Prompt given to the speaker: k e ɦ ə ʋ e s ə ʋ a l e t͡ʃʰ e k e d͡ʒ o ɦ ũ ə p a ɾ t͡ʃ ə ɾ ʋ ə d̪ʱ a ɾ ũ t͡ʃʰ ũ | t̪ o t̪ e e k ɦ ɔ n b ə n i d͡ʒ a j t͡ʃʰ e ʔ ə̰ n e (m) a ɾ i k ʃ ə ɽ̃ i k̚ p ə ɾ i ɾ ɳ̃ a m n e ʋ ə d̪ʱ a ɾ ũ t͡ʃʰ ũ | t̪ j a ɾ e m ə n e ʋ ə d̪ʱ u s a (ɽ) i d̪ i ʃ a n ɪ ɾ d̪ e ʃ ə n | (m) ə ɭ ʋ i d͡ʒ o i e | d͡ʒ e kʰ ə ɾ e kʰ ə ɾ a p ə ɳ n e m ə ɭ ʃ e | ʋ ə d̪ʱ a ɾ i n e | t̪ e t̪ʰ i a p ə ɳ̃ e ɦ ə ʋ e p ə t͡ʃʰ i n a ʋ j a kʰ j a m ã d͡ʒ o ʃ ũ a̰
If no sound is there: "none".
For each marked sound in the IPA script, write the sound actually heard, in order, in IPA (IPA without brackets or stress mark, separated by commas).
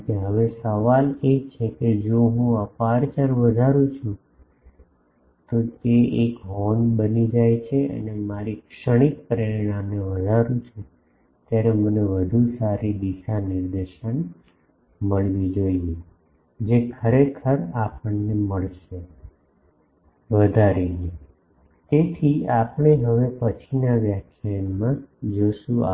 m, ɾ, m